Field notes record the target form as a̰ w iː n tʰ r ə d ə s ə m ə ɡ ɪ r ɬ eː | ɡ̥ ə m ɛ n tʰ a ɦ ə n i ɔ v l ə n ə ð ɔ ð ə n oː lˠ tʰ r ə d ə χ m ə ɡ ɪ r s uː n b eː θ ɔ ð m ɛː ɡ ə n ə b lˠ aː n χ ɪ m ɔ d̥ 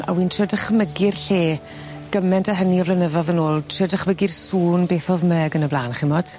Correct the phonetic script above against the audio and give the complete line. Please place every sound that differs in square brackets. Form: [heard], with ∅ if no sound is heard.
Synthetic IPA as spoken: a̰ w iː n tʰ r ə d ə [χ] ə m ə ɡ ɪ r ɬ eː | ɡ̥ ə m ɛ n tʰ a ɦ ə n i ɔ v l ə n ə ð ɔ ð ə n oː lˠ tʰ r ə d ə χ m ə ɡ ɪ r s uː n b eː θ ɔ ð m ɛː ɡ ə n ə b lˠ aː n χ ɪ m ɔ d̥